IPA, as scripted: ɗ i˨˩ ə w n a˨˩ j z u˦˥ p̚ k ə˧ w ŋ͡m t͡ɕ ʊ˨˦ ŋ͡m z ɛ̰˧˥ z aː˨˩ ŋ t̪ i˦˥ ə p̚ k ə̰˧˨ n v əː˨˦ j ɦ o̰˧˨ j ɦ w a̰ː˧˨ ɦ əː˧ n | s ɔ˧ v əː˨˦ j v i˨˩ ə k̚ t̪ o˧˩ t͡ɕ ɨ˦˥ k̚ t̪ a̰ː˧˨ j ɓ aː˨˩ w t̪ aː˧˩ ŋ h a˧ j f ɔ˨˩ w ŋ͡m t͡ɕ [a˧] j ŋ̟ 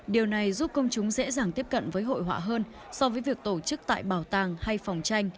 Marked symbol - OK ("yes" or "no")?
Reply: yes